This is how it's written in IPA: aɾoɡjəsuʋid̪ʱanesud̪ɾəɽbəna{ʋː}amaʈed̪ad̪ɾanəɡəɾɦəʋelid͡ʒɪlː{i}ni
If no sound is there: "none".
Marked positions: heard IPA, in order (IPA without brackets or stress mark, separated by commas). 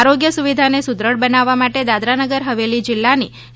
ʋː, a